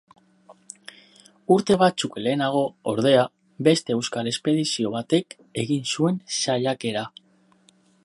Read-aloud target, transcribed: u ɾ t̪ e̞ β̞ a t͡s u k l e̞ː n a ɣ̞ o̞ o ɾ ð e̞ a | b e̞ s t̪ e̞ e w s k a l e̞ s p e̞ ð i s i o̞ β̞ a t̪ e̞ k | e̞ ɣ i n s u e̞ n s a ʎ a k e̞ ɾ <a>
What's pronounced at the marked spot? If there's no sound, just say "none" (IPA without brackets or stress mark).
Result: a